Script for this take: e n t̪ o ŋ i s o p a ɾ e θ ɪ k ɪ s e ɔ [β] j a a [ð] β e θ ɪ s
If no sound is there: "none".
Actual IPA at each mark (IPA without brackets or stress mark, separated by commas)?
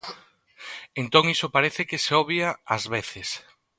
β, z